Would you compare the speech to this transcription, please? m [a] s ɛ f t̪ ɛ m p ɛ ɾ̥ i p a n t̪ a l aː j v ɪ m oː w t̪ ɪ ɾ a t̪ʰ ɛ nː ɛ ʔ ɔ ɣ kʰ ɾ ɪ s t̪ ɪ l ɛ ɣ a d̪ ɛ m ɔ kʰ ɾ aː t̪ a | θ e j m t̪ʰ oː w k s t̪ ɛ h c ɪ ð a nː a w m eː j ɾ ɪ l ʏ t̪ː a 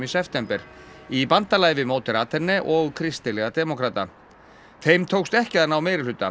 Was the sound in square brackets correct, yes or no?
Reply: no